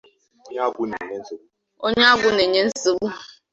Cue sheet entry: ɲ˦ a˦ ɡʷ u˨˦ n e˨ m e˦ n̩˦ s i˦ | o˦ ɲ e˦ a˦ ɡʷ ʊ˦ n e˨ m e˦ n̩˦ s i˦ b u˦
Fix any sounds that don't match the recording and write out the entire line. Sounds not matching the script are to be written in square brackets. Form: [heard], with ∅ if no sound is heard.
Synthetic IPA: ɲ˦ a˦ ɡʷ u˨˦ n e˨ [ɲ] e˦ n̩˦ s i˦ | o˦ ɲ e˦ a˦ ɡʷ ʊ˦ n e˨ [ɲ] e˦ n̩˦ s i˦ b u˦